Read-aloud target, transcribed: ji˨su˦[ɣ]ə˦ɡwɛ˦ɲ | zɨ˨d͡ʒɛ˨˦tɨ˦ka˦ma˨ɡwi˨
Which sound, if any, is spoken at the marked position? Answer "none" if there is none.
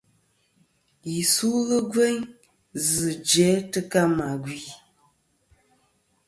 ɣ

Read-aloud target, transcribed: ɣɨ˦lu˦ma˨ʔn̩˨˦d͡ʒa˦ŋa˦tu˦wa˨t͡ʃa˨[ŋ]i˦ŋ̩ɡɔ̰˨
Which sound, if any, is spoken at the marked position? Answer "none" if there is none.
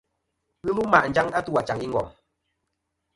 ŋ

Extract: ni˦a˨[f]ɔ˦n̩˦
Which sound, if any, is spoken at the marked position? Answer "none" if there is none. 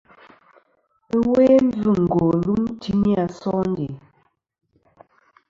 s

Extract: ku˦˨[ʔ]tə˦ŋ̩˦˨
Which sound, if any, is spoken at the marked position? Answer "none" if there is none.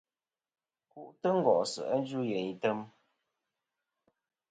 ʔ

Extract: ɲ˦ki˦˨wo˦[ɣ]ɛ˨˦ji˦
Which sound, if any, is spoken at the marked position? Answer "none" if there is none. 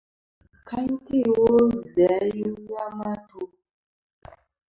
z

